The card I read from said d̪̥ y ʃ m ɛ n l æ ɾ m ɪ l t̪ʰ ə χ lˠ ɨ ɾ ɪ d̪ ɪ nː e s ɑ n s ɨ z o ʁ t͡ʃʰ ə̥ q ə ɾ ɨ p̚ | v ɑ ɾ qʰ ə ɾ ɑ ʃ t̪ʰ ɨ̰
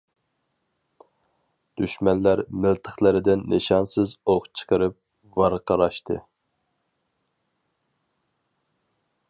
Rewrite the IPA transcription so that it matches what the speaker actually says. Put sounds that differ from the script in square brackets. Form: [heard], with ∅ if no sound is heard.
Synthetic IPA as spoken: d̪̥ y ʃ m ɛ n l æ ɾ m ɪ l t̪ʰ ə χ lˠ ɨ ɾ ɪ d̪ ɪ nː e [ʃ] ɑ n s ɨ z o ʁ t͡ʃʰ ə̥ q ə ɾ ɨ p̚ | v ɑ ɾ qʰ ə ɾ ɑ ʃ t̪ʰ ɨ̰